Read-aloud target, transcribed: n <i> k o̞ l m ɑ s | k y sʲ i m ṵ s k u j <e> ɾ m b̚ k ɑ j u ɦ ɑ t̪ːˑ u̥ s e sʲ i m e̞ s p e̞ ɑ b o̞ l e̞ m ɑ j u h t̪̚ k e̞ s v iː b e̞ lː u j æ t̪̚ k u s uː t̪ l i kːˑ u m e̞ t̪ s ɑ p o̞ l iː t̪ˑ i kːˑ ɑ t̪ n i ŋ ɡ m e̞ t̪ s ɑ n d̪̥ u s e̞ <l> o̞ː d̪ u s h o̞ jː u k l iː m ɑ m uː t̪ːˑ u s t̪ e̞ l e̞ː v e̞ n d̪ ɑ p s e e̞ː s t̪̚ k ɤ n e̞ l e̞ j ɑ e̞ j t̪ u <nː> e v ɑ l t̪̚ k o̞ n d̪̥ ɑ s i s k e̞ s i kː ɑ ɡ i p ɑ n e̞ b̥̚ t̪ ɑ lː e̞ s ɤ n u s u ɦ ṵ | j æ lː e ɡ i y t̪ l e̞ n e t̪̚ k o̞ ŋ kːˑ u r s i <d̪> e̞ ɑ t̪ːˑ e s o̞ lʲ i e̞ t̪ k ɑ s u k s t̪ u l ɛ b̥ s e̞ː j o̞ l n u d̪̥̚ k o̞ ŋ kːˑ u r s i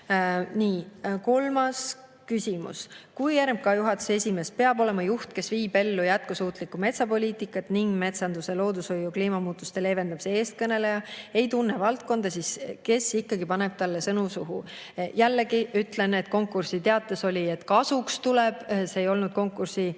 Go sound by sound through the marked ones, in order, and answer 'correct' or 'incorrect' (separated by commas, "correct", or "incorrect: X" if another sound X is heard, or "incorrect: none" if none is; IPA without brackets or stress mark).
incorrect: iː, incorrect: æ, correct, correct, incorrect: t̪